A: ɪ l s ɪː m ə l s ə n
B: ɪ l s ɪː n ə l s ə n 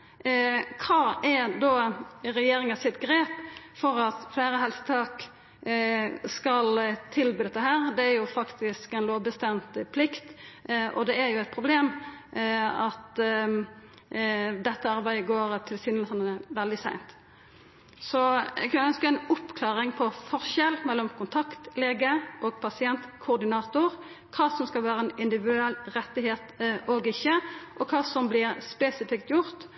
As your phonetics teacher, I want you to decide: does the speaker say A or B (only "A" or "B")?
B